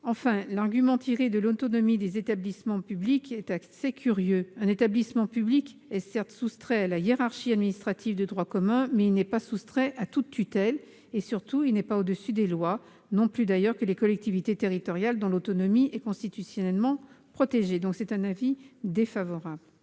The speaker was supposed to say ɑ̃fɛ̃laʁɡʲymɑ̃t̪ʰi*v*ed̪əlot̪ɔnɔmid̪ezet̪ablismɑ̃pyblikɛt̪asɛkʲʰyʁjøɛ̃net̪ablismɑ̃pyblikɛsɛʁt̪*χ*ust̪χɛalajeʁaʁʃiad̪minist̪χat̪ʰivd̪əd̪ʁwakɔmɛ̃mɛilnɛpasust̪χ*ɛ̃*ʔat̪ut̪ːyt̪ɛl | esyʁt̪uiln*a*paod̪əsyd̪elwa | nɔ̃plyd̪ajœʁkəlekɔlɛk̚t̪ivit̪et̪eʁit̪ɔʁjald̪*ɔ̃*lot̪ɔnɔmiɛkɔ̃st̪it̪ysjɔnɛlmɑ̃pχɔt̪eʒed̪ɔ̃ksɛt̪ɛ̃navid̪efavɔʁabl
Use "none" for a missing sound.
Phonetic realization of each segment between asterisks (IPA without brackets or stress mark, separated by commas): ʁ, s, ɛ, ɛ, ɔ̃